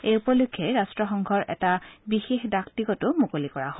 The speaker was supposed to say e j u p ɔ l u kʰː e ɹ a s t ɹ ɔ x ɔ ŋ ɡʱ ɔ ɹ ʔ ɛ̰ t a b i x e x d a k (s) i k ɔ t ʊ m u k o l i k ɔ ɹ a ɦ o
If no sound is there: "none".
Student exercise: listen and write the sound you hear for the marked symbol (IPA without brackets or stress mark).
t